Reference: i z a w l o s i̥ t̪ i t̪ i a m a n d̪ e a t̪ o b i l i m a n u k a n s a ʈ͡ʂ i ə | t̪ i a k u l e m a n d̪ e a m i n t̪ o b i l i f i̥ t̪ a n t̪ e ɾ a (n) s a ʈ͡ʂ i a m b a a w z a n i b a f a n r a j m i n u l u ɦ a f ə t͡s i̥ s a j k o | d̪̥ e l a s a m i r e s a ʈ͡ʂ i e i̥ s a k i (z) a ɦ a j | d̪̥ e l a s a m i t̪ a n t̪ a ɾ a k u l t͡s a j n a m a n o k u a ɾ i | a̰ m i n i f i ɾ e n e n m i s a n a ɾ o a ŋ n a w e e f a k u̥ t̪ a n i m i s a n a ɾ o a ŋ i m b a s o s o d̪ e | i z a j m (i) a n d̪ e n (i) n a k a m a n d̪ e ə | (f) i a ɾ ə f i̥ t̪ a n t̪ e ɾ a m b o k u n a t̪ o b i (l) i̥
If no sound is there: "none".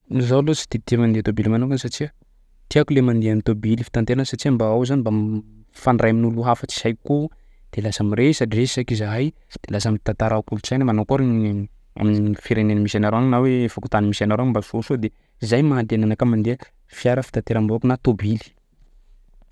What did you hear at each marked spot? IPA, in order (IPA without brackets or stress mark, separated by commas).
n, z, a, a, f, l